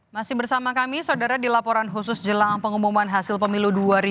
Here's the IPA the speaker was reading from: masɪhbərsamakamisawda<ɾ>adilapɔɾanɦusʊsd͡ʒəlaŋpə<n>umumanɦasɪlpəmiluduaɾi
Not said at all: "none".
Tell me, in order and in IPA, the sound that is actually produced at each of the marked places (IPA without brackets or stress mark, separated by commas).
ɾ, ŋ